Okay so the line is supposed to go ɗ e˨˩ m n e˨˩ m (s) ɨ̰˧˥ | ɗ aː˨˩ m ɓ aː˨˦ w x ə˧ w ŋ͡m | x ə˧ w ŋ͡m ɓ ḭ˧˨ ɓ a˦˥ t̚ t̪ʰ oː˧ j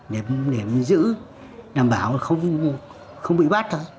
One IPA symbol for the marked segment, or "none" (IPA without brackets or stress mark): z